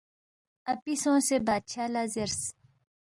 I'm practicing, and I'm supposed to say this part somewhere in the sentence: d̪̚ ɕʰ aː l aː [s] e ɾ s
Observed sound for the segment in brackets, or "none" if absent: z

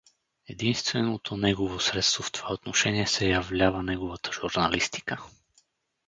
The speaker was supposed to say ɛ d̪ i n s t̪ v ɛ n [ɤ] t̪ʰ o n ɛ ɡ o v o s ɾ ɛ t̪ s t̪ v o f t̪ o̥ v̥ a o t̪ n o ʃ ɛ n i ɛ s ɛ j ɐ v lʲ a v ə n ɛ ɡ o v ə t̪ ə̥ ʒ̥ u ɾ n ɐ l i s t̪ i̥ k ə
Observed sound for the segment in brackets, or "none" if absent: o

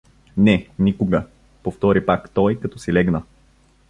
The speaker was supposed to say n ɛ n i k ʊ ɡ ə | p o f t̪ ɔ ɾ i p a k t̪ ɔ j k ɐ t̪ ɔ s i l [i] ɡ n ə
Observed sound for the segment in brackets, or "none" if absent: ɛ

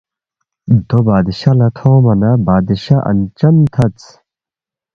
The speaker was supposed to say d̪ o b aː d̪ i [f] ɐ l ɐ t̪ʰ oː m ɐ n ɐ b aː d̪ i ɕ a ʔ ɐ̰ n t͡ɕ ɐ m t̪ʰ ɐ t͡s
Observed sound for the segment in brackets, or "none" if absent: ɕ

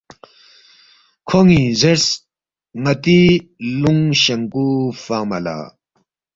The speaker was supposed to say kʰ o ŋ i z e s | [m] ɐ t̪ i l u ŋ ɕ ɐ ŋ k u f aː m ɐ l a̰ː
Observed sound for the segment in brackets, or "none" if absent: ŋ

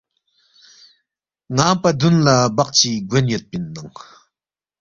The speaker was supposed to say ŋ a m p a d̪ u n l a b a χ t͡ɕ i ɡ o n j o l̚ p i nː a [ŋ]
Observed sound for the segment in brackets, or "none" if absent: ŋ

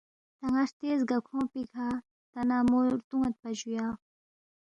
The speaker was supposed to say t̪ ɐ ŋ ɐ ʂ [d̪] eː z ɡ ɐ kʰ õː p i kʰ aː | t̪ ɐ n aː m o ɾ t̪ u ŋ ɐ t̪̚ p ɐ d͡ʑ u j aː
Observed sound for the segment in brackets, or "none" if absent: t̪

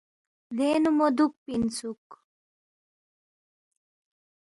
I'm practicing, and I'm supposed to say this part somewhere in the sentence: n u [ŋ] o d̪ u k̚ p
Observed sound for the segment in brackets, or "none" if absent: m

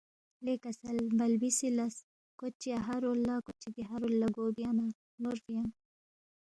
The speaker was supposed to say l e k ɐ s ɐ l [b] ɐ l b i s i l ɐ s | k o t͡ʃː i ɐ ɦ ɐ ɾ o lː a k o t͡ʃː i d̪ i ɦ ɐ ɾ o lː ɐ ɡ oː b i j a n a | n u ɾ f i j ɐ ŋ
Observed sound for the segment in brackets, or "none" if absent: b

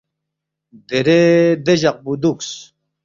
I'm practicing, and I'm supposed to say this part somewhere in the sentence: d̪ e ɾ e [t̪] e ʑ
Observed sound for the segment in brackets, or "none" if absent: d̪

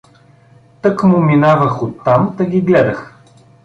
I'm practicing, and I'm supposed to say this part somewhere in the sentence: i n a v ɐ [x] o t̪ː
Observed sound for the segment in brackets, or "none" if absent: x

